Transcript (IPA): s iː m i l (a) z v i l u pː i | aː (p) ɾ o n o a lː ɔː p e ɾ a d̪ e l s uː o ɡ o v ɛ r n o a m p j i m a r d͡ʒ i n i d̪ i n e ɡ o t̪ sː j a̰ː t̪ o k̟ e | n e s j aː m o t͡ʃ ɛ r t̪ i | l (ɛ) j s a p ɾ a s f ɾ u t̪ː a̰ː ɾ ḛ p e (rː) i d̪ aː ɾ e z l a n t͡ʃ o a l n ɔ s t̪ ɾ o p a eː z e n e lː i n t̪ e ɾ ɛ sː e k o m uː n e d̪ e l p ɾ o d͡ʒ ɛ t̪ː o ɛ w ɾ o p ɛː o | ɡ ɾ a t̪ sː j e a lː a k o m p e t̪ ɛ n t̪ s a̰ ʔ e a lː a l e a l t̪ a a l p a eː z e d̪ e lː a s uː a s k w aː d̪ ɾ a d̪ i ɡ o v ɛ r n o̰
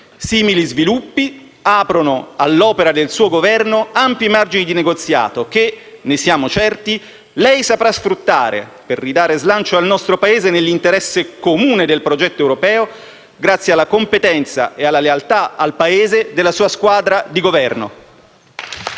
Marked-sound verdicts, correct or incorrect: incorrect: i, correct, correct, correct

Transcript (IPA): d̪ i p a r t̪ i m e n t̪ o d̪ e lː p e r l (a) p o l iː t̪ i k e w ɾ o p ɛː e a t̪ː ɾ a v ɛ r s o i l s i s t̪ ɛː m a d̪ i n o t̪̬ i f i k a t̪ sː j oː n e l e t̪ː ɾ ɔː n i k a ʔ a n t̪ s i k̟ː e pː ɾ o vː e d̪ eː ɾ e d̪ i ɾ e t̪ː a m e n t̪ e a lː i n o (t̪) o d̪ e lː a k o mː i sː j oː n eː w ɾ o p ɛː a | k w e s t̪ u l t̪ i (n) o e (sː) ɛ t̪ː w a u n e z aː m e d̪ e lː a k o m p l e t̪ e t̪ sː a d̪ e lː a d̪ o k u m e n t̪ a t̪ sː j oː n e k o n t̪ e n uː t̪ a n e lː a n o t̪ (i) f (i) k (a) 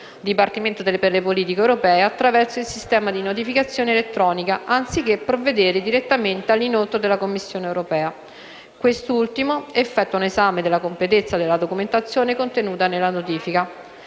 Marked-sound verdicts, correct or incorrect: incorrect: e, correct, incorrect: m, incorrect: fː, incorrect: iː, correct, correct

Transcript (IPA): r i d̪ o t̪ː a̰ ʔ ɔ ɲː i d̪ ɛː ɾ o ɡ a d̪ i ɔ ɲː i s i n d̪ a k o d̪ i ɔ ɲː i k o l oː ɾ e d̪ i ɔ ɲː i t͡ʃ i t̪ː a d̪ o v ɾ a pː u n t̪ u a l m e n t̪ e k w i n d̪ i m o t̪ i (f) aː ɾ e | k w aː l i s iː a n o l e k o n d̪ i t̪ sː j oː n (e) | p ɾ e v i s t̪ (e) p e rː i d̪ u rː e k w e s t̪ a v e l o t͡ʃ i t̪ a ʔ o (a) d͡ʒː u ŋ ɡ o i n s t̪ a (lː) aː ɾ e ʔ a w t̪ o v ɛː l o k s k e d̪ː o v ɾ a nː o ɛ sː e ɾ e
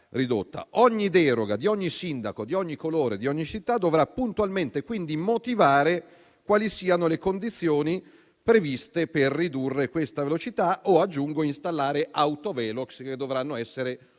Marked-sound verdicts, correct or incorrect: incorrect: v, incorrect: i, correct, correct, correct

